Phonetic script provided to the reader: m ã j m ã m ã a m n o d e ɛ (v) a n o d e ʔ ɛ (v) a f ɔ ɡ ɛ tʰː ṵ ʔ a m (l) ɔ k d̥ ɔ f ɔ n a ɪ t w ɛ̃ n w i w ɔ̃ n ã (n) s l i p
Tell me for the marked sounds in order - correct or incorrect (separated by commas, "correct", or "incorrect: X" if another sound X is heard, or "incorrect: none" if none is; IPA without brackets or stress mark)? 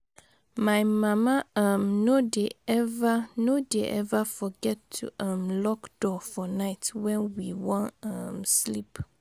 correct, correct, correct, incorrect: m